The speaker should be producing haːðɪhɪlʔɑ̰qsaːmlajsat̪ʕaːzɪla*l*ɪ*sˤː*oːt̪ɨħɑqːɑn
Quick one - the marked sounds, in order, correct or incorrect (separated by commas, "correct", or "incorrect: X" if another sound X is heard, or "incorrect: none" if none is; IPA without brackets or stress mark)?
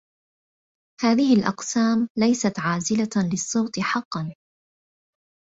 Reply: correct, correct